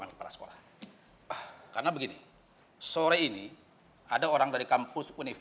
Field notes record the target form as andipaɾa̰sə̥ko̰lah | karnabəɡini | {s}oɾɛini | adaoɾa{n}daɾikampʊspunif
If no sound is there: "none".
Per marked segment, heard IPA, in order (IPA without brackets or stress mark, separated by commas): s, ŋ